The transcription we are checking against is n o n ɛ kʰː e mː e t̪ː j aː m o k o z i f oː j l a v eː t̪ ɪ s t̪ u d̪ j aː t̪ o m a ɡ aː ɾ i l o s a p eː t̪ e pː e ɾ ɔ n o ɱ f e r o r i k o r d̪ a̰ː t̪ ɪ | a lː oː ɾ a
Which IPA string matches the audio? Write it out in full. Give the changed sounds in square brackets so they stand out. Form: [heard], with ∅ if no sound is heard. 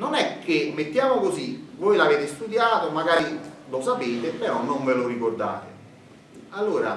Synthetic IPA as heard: n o n ɛ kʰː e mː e t̪ː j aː m o k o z i [v] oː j l a v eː t̪ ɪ s t̪ u d̪ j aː t̪ o m a ɡ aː ɾ i l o s a p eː t̪ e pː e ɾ ɔ n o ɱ [v] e [l] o r i k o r d̪ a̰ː t̪ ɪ | a lː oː ɾ a